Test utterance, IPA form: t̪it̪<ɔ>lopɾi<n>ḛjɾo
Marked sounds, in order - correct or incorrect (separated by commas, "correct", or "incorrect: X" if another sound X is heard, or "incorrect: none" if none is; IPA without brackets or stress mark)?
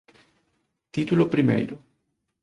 incorrect: u, incorrect: m